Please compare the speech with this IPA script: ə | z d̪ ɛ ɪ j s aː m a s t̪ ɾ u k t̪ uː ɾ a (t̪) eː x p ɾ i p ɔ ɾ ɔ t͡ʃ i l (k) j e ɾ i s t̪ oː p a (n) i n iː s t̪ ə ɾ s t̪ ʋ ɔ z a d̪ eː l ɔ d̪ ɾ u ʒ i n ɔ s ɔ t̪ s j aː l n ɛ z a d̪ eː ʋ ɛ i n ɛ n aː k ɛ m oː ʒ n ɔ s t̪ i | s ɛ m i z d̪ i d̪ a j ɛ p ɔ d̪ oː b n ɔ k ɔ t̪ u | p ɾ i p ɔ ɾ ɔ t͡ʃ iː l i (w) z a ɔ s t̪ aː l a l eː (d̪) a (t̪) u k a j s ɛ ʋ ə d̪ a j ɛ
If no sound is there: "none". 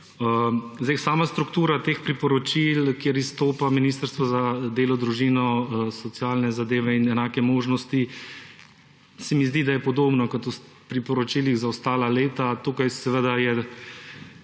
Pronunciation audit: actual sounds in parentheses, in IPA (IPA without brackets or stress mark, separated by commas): t̪, k, m, ɣ, t̪, t̪